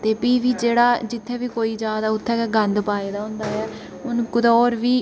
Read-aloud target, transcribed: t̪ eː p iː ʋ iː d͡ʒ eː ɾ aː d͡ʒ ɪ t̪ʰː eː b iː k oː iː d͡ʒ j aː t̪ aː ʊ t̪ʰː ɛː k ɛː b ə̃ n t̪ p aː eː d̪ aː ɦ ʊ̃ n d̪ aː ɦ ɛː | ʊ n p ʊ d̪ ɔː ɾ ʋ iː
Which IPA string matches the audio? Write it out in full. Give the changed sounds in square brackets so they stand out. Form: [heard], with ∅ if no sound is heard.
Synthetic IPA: t̪ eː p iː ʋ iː d͡ʒ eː [ɽ] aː d͡ʒ ɪ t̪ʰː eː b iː k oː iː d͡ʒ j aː [d̪] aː ʊ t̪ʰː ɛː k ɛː [ɡ] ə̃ n [d̪] p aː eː d̪ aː ɦ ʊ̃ n d̪ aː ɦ ɛː | ʊ n [k] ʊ d̪ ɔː ɾ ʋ iː